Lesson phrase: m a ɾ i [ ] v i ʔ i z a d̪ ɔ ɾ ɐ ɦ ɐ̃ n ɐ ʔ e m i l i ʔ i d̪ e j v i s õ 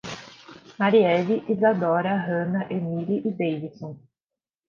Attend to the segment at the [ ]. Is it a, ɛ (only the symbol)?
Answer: ɛ